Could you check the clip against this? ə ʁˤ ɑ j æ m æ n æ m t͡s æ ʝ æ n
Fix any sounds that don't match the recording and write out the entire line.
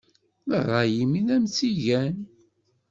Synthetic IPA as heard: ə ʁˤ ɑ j i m i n æ m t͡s i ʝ æ n